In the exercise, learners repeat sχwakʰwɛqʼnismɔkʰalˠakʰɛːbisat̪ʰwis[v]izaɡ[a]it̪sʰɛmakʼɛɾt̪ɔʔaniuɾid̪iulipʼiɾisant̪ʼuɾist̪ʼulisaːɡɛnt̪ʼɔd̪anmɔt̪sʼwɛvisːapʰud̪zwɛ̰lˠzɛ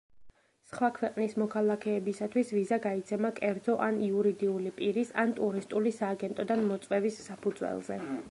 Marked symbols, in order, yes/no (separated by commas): yes, yes